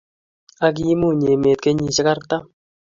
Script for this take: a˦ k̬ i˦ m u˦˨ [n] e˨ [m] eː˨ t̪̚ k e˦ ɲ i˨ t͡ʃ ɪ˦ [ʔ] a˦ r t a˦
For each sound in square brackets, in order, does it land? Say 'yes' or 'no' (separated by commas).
no, yes, no